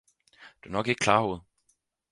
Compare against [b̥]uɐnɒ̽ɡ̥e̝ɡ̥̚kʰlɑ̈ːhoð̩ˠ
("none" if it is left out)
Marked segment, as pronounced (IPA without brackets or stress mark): d̥